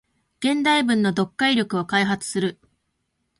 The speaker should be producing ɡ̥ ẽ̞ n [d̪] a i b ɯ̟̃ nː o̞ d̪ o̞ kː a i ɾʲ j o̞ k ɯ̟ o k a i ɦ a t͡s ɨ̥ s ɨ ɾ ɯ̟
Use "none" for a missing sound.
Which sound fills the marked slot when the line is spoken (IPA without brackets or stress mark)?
d̪